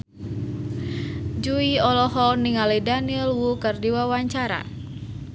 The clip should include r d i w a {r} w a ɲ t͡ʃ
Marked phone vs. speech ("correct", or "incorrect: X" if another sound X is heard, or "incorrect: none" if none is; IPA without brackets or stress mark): incorrect: none